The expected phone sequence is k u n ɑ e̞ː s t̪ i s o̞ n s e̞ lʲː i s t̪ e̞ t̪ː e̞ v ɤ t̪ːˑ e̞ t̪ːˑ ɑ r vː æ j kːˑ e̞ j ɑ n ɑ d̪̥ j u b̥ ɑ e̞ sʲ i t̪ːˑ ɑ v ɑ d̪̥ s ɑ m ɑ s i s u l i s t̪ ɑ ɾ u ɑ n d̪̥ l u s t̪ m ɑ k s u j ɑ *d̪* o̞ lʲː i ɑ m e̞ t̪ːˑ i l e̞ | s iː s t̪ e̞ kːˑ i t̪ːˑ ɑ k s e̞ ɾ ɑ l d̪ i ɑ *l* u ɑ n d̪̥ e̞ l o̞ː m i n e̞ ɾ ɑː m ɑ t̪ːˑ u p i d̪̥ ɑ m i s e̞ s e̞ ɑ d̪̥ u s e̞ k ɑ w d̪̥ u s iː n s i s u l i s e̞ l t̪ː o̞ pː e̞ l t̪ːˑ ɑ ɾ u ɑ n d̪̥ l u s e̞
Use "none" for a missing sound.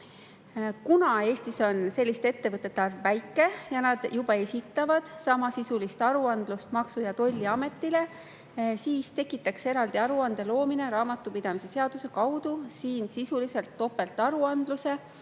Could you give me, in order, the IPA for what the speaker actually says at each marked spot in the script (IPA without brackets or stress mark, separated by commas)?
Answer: t̪, ɾ